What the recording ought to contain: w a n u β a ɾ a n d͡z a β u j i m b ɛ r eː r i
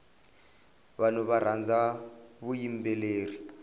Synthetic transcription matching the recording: β a n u β a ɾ a n d͡z a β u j i m b ɛ l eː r i